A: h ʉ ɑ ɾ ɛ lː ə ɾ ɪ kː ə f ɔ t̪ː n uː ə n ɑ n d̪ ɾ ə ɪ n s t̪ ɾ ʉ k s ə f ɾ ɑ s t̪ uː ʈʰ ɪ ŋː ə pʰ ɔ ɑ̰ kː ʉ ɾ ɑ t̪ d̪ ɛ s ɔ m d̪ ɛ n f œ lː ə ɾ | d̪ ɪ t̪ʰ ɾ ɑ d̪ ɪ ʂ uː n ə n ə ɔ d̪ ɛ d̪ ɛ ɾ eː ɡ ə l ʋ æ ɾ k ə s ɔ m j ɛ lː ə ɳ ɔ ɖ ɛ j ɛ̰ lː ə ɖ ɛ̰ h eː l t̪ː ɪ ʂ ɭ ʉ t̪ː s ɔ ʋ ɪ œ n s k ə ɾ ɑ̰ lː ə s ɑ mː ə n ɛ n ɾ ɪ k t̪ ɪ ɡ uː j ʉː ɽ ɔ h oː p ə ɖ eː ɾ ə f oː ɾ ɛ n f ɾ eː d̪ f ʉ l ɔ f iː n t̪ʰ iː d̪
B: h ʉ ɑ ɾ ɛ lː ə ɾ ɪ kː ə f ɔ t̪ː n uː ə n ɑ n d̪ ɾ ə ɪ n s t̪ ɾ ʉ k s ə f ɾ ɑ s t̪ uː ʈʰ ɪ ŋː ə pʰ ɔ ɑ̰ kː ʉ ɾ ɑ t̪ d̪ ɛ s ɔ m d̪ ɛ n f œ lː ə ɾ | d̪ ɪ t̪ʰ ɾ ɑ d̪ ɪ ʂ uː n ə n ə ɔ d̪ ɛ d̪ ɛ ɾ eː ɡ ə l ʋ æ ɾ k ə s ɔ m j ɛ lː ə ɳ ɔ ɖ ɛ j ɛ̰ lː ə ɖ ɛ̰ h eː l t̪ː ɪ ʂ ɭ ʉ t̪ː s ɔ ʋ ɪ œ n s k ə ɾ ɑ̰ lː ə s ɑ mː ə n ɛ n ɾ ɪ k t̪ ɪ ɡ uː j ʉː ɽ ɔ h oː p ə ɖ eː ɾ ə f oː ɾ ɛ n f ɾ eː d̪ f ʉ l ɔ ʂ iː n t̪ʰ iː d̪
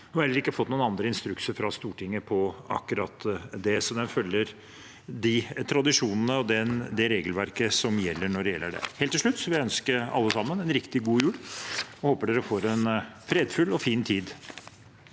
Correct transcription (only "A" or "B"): A